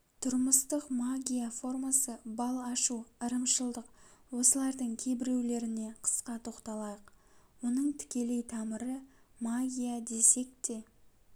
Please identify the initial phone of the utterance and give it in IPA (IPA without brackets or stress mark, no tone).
t̪ʰ